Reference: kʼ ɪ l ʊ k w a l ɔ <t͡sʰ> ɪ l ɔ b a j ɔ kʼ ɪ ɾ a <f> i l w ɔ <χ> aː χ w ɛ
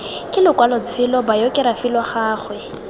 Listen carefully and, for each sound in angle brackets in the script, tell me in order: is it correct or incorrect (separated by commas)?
correct, correct, correct